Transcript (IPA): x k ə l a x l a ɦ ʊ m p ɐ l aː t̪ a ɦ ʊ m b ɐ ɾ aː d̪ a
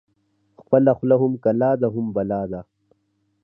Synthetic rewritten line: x p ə l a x l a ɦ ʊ m k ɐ l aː d̪ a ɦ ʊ m b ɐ l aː d̪ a